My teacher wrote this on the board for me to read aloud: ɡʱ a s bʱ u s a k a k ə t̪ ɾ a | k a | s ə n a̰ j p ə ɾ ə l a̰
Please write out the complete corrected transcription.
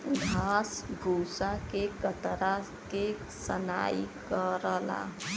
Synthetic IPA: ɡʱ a s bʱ u s a k e k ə t̪ ɾ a | k e | s ə n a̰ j k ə ɾ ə l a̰